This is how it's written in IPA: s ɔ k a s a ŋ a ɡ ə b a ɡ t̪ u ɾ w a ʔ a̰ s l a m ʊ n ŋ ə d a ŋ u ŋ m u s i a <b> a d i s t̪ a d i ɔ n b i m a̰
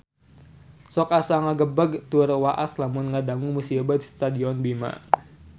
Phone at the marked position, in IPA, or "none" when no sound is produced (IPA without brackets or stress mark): b